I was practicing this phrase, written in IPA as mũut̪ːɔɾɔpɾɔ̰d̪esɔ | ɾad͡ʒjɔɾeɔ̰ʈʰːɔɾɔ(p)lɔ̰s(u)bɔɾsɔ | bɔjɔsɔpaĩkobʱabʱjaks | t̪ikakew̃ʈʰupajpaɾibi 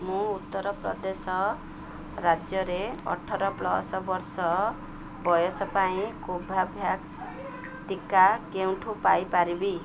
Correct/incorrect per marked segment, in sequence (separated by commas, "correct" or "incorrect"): correct, incorrect